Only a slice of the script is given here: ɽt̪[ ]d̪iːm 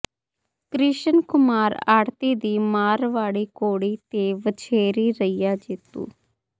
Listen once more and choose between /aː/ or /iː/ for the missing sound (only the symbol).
iː